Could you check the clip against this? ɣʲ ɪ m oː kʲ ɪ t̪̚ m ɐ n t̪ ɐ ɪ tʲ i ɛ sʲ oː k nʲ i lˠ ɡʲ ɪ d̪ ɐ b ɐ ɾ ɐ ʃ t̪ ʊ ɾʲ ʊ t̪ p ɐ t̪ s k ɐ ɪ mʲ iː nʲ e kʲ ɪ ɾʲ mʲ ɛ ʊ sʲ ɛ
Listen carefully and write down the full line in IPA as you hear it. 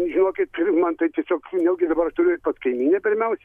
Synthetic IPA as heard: ʒʲ ɪ n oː kʲ ɪ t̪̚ m ɐ n t̪ ɐ ɪ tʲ i ɛ sʲ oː k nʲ ɛ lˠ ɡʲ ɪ d̪ ɐ b ɐ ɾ ɐ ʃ t̪ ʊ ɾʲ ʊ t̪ p ɐ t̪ s k ɐ ɪ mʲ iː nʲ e pʲ ɪ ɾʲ mʲ ɛ ʊ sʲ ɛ

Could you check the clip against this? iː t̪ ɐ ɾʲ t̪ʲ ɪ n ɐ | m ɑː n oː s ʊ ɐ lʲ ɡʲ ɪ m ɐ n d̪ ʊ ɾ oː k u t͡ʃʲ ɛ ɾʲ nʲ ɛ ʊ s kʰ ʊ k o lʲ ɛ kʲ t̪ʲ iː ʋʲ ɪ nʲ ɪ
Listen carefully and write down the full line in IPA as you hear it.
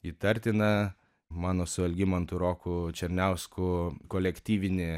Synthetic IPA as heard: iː t̪ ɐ ɾʲ t̪ʲ ɪ n ɐ | m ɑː n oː s ʊ ɐ lʲ ɡʲ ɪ m ɐ n t̪ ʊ ɾ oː k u t͡ʃʲ ɛ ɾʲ nʲ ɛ ʊ s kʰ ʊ k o lʲ ɛ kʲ t̪ʲ iː ʋʲ ɪ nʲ ɪ

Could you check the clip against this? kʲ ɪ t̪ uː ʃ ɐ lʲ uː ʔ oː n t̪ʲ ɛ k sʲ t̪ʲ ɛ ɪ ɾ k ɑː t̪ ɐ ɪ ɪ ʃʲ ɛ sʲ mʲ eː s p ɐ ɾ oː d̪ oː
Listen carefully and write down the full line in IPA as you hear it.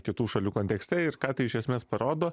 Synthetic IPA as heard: kʲ ɪ t̪ uː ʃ ɐ lʲ uː k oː n t̪ʲ ɛ k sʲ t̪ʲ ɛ ɪ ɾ k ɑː t̪ ɐ ɪ ɪ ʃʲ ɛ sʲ mʲ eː s p ɐ ɾ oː d̪ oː

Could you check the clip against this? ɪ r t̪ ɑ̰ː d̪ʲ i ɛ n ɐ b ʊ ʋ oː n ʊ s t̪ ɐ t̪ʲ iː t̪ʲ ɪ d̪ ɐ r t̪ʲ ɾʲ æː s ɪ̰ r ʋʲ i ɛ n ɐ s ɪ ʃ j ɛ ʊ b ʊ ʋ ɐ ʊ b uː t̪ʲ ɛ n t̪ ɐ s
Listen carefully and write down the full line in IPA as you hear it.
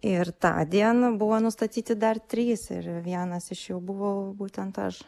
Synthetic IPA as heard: ɪ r t̪ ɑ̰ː d̪ʲ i ɛ n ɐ b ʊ ʋ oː n ʊ s t̪ ɐ t̪ʲ iː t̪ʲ ɪ d̪ ɐ r t̪ʲ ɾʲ iː s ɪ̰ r ʋʲ i ɛ n ɐ s ɪ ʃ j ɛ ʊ b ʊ ʋ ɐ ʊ b uː t̪ʲ ɛ n t̪ ɐ ʃ

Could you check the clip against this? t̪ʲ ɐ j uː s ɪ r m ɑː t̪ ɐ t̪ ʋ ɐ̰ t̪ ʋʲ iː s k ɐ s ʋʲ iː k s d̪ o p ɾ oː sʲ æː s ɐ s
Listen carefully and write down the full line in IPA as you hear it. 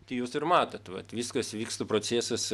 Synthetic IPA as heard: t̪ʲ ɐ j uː s ɪ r m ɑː t̪ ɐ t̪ ʋ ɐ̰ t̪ ʋʲ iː s k ɐ s ʋʲ iː k s t̪ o p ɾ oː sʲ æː s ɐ s

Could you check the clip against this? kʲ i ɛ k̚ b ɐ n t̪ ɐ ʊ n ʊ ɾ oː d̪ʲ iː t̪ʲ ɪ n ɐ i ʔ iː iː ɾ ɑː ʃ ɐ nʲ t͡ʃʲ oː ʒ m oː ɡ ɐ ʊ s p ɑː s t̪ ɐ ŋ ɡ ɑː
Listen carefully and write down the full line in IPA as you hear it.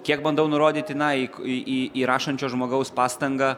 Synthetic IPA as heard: kʲ i ɛ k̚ b ɐ n d̪ ɐ ʊ n ʊ ɾ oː d̪ʲ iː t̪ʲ ɪ n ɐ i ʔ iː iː ɾ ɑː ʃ ɐ nʲ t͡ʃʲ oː ʒ m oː ɡ ɐ ʊ s p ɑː s t̪ ɐ ŋ ɡ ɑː

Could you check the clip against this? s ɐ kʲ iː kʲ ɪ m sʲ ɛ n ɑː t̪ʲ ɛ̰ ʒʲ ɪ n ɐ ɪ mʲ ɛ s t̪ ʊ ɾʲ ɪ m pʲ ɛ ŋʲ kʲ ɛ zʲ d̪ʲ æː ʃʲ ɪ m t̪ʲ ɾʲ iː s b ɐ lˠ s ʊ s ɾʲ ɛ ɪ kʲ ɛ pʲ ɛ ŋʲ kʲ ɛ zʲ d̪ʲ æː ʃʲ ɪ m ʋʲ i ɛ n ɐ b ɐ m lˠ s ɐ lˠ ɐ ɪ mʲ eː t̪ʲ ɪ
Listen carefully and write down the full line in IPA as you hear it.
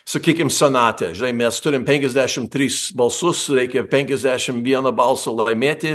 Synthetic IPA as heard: s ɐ kʲ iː kʲ ɪ m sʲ ɛ n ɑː t̪ʲ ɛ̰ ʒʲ ɪ n ɐ ɪ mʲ ɛ s t̪ ʊ ɾʲ ɪ m pʲ ɛ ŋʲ kʲ ɛ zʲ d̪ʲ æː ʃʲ ɪ m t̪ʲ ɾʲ iː s b ɐ lˠ s ʊ s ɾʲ ɛ ɪ kʲ ɛ pʲ ɛ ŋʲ kʲ ɛ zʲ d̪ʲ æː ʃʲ ɪ m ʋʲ i ɛ n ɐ b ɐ lˠ s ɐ lˠ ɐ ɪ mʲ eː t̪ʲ ɪ

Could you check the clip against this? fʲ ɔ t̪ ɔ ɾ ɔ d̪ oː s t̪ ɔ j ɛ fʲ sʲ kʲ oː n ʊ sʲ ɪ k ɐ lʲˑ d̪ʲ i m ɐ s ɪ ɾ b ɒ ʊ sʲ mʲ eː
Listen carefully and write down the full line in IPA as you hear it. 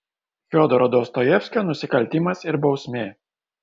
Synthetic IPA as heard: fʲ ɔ d̪ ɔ ɾ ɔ d̪ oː s t̪ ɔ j ɛ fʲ sʲ kʲ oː n ʊ sʲ ɪ k ɐ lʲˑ t̪ʲ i m ɐ s ɪ ɾ b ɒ ʊ sʲ mʲ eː

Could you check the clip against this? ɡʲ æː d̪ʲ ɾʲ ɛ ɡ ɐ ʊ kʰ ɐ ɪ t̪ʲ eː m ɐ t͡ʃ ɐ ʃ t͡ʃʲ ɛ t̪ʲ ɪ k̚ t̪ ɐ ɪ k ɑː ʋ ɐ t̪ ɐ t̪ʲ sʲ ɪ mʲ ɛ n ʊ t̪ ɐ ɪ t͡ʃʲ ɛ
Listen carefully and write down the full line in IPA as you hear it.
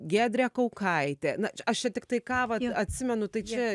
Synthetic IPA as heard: ɡʲ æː d̪ʲ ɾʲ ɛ k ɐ ʊ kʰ ɐ ɪ t̪ʲ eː n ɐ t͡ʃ ɐ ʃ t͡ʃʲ ɛ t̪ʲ ɪ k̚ t̪ ɐ ɪ k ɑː ʋ ɐ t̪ ɐ t̪ʲ sʲ ɪ mʲ ɛ n ʊ t̪ ɐ ɪ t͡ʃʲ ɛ

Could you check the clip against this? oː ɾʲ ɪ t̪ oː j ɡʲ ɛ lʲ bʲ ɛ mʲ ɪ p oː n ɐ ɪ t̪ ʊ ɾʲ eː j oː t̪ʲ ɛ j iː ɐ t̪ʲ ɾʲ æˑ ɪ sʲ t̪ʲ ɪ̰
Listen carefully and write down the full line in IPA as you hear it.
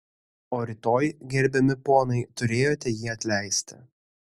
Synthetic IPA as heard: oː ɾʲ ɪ t̪ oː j ɡʲ ɛ ɾʲ bʲ ɛ mʲ ɪ p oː n ɐ ɪ t̪ ʊ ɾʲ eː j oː t̪ʲ ɛ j iː ɐ t̪ʲ lʲ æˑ ɪ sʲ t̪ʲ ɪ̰

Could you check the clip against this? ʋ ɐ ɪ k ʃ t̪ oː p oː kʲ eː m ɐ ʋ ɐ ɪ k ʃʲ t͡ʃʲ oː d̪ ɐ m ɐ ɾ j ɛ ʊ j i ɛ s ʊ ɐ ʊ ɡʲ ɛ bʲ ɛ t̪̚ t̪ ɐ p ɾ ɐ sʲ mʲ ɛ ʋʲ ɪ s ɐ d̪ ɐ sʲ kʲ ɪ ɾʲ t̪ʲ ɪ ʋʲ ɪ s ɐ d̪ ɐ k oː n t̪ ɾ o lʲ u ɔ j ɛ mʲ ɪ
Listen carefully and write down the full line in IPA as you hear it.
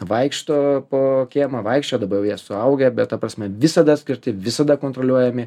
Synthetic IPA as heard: ʋ ɐ ɪ k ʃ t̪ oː p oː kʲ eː m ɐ ʋ ɐ ɪ k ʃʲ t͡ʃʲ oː d̪ ɐ b ɐ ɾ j ɛ ʊ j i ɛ s ʊ ɐ ʊ ɡʲ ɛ bʲ ɛ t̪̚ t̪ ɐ p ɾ ɐ sʲ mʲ ɛ ʋʲ ɪ s ɐ d̪ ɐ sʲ kʲ ɪ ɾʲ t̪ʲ ɪ ʋʲ ɪ s ɐ d̪ ɐ k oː n t̪ ɾ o lʲ u ɔ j ɛ mʲ ɪ

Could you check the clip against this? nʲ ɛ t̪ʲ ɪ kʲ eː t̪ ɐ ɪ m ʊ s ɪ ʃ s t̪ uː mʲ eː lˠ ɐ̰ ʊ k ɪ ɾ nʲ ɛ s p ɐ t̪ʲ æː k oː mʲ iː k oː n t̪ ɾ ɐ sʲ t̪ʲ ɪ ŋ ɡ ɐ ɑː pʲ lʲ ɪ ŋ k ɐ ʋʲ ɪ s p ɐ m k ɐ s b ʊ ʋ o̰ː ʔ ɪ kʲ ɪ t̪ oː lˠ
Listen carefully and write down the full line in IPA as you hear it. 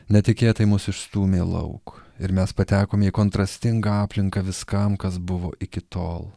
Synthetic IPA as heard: nʲ ɛ t̪ʲ ɪ kʲ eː t̪ ɐ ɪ m ʊ s ɪ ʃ s t̪ uː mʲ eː lˠ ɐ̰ ʊ k ɪ ɾ mʲ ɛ s p ɐ t̪ʲ æː k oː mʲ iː k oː n t̪ ɾ ɐ sʲ t̪ʲ ɪ ŋ ɡ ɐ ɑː pʲ lʲ ɪ ŋ k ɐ ʋʲ ɪ s k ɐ m k ɐ s b ʊ ʋ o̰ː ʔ ɪ kʲ ɪ t̪ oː lˠ

